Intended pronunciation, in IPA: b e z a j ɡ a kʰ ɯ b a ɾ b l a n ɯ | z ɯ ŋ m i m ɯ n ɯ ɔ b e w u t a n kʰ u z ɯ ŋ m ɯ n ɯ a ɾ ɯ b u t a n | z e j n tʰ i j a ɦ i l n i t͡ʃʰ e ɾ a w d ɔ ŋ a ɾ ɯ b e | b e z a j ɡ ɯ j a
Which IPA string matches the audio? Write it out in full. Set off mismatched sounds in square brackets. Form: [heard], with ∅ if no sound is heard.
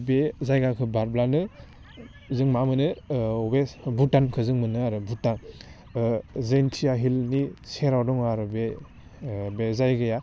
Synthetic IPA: b e z a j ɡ a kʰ ɯ b a ɾ b l a n ɯ | z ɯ ŋ m [a] m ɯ n ɯ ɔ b e [b] u t a n kʰ [ɯ] z ɯ ŋ m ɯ n ɯ a ɾ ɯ b u t a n | z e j n tʰ i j a ɦ i l n i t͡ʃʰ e ɾ a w d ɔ ŋ a ɾ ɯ b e | b e z a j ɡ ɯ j a